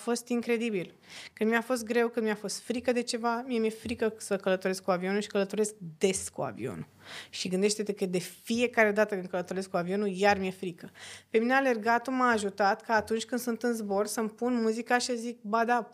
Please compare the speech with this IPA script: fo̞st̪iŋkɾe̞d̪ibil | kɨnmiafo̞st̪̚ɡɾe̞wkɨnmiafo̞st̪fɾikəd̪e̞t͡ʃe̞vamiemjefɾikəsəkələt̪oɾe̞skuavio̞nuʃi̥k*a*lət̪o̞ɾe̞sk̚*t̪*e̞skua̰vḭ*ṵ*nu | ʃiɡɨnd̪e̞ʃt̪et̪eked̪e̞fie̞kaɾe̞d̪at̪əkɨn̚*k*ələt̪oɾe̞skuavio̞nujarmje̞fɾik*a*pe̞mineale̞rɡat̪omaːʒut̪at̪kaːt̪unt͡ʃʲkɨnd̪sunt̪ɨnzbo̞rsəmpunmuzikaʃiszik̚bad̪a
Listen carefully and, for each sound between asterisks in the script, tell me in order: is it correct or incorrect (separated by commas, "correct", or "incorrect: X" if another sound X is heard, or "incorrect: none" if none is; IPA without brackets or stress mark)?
incorrect: ə, incorrect: d̪, incorrect: o̰, correct, incorrect: ə